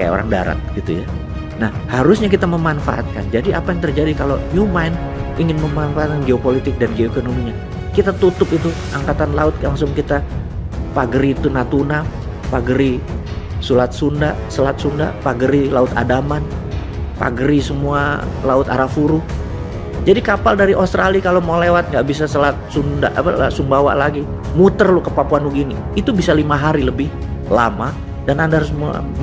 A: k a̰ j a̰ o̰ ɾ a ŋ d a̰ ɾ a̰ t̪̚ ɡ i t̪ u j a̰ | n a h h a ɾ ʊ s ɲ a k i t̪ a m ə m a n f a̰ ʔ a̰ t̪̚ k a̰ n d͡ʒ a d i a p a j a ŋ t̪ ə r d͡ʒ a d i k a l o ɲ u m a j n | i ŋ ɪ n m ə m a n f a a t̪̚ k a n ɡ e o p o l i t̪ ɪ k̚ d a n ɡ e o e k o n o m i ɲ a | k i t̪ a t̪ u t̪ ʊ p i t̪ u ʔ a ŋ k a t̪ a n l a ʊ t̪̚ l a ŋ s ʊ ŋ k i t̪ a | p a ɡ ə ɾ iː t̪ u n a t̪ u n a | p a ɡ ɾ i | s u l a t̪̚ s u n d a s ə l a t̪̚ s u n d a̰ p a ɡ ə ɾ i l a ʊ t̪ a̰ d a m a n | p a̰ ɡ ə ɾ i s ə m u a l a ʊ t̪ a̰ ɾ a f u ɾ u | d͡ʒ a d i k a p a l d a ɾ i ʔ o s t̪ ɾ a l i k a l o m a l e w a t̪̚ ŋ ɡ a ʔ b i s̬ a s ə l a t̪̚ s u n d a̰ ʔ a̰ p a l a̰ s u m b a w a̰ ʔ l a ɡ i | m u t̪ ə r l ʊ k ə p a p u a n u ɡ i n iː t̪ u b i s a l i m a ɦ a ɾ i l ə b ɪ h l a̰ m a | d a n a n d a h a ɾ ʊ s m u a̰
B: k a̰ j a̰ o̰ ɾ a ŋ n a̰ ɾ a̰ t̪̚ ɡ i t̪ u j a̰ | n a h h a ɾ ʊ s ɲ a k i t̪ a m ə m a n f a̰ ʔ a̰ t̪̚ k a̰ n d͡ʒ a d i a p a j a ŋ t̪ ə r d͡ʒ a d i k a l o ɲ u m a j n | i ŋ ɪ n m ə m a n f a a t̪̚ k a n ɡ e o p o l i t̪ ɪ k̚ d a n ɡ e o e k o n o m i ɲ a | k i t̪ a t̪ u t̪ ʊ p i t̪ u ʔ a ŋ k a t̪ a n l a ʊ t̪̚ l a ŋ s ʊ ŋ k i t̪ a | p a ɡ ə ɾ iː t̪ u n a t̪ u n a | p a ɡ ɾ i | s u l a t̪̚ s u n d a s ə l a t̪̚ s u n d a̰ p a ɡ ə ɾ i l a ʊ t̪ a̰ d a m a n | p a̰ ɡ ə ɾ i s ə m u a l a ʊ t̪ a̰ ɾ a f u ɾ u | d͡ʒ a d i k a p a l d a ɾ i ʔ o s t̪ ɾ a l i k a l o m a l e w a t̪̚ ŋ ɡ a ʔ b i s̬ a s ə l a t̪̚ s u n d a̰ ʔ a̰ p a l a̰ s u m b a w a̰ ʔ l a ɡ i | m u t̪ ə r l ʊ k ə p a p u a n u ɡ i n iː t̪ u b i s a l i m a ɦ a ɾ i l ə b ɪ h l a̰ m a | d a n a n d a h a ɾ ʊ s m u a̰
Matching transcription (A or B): A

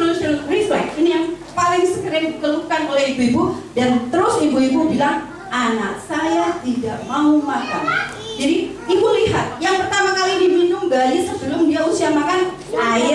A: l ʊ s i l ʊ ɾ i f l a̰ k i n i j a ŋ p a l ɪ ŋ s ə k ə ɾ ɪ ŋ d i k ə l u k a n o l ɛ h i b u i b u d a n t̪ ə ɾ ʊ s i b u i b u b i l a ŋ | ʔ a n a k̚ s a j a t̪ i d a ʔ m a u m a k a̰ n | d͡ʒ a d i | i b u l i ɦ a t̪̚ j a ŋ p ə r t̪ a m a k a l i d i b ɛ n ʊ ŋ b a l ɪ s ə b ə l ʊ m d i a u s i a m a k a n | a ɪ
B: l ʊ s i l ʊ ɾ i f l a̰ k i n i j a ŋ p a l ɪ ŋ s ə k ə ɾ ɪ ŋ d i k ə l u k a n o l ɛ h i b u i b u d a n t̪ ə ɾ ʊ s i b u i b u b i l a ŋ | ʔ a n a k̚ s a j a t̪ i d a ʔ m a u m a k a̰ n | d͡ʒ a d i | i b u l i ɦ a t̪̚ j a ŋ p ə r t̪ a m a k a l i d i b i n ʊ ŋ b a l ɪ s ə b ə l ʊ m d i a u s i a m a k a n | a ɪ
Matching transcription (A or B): B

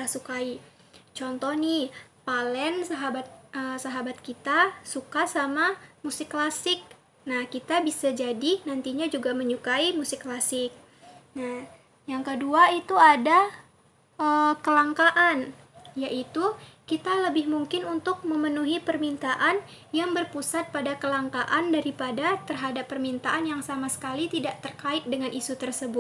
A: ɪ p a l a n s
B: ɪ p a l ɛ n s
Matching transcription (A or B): B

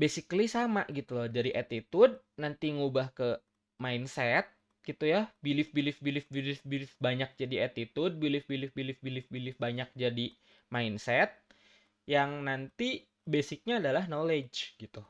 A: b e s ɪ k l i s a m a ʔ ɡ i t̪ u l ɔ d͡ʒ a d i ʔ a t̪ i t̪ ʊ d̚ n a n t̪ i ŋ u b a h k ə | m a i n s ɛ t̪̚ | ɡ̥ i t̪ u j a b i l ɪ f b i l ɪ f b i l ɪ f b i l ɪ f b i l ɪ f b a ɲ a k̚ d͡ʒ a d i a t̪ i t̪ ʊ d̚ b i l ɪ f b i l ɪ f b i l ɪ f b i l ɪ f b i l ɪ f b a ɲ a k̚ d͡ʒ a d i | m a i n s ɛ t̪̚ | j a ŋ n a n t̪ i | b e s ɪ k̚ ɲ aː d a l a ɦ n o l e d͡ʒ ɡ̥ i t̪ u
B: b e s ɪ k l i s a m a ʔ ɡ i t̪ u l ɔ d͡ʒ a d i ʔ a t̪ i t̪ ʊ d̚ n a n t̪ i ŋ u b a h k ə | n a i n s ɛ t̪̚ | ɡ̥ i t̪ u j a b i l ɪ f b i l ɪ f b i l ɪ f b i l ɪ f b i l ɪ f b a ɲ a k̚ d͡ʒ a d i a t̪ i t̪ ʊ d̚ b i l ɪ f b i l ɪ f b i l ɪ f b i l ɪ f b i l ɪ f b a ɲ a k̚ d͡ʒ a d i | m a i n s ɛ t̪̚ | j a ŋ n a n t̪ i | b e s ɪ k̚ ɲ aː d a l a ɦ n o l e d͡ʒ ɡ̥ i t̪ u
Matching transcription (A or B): A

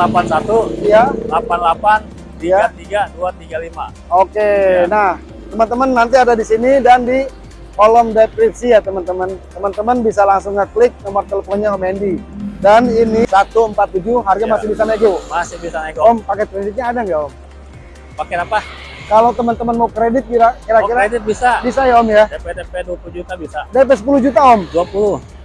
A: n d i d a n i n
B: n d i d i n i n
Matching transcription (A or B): A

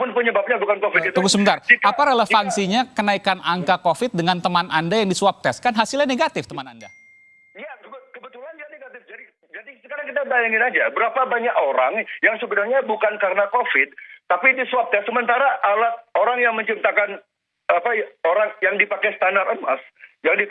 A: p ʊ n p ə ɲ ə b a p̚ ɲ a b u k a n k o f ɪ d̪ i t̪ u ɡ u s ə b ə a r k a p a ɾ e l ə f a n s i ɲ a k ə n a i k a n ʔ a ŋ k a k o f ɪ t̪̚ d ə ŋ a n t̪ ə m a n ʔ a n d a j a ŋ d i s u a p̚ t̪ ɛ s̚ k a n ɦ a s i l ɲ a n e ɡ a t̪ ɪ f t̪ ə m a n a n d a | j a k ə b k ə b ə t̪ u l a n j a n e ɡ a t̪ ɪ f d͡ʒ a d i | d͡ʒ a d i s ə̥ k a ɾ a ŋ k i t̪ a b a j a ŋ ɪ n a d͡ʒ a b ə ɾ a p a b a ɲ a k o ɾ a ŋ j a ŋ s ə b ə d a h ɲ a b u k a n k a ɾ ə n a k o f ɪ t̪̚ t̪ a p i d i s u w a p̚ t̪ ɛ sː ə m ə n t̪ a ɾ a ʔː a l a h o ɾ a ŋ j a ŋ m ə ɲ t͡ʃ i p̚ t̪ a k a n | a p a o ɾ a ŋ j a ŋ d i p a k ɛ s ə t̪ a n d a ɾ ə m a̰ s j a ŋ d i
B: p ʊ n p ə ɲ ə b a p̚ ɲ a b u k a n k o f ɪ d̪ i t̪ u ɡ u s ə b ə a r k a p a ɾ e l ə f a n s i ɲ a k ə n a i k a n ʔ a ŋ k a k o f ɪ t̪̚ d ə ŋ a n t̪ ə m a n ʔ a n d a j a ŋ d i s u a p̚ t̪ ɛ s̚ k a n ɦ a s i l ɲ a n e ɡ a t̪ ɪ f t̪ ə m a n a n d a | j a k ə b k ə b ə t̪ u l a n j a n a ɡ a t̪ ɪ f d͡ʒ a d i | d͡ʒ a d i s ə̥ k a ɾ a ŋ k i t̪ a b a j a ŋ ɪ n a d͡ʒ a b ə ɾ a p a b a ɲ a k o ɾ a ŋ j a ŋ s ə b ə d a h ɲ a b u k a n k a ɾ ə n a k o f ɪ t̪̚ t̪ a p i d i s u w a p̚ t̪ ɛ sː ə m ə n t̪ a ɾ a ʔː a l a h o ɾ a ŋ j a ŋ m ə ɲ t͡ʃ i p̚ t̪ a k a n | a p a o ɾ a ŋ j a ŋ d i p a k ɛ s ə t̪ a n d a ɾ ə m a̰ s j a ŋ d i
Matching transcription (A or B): A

